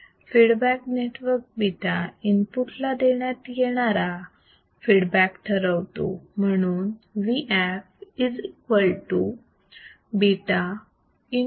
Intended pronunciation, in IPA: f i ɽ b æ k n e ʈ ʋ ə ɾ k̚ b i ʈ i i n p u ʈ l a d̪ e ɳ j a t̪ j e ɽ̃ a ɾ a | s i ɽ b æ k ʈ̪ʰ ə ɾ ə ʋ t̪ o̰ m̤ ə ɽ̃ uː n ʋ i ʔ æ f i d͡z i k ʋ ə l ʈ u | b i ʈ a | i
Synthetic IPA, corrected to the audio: f i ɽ b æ k n e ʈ ʋ ə ɾ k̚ b i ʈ a i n p u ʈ l a d̪ e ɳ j a t̪ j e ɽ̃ a ɾ a | f i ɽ b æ k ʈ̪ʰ ə ɾ ə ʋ t̪ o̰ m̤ ə ɽ̃ uː n ʋ i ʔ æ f i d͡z i k ʋ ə l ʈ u | b i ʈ a | i